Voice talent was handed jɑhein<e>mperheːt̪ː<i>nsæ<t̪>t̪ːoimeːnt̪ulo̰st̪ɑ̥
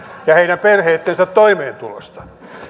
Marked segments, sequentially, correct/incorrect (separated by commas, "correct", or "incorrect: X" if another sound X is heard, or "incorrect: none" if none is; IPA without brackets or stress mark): incorrect: æ, incorrect: e, correct